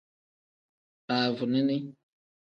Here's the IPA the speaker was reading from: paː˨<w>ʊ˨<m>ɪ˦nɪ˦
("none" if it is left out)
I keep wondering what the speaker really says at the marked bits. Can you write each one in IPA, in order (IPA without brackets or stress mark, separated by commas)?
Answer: v, n